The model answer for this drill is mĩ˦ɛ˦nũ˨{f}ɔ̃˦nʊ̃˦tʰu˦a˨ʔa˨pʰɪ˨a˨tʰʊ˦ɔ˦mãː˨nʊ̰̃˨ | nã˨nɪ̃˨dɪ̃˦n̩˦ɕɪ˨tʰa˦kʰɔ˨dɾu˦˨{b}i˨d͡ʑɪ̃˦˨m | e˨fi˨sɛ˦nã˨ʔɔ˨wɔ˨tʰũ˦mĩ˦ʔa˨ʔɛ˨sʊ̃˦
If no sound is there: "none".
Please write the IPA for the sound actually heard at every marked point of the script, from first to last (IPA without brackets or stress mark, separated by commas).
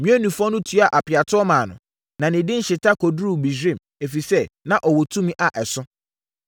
f, b